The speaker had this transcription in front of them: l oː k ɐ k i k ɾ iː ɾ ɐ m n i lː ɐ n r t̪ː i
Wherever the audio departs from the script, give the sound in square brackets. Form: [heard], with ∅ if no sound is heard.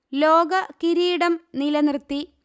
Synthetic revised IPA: l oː [ɡ] ɐ k i [∅] ɾ iː [ɽ] ɐ m n i [l] ɐ n r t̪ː i